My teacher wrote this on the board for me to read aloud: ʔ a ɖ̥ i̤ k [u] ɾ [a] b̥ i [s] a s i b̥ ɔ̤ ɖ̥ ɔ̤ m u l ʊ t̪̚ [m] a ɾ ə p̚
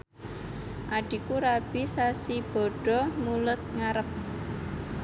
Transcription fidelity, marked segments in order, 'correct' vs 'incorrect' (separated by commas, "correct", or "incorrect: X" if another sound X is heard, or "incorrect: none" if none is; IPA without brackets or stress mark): correct, correct, correct, incorrect: ŋ